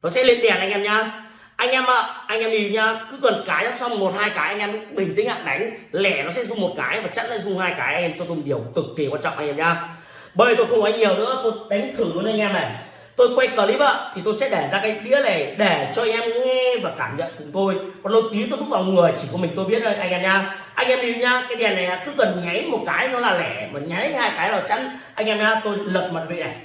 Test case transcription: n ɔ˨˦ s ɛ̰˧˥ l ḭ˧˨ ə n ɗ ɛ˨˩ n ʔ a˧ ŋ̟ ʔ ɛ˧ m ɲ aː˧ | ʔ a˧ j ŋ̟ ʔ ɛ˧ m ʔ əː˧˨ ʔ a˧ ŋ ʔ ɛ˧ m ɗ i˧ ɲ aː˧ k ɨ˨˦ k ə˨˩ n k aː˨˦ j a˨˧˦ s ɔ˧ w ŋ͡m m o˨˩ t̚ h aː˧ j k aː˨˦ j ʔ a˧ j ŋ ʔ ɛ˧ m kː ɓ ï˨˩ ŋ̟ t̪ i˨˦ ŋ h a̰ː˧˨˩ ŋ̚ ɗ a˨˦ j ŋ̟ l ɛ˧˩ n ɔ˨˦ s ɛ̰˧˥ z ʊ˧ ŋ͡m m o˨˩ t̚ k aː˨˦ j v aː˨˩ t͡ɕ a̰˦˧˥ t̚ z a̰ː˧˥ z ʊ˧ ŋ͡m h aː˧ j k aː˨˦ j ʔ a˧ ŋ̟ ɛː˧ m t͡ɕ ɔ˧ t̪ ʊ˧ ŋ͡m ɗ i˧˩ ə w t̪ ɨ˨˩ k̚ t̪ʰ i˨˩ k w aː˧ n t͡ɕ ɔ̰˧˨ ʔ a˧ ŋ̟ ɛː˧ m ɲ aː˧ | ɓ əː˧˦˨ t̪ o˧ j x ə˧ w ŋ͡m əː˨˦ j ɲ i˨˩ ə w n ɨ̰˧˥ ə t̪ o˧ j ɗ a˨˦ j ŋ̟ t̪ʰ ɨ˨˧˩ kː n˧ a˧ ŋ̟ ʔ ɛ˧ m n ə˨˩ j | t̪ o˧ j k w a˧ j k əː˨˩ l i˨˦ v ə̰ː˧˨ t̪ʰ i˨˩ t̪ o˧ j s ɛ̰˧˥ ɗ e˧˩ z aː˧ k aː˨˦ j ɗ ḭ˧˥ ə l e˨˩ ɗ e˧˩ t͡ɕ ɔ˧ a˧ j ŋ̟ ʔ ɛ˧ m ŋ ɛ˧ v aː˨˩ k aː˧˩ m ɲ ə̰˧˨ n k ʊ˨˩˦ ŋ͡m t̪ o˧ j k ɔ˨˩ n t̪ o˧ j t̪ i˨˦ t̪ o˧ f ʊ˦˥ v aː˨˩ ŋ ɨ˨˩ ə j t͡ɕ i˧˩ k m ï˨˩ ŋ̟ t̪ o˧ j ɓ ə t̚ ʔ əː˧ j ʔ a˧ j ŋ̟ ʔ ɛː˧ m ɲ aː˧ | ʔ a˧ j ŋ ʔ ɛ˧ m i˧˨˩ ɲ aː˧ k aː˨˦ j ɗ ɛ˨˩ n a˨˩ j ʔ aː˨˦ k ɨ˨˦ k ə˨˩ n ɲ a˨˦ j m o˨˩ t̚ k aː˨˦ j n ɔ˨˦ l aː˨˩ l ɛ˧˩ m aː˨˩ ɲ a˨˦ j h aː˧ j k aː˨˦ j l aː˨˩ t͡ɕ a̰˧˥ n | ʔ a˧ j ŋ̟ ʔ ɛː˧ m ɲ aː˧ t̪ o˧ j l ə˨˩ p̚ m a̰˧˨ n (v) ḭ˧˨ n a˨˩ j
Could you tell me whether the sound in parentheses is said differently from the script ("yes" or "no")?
no